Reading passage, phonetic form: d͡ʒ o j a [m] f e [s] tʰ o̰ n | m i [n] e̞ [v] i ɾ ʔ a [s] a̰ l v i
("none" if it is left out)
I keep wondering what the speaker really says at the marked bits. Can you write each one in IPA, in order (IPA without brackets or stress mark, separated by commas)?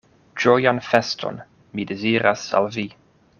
n, s, d, z, s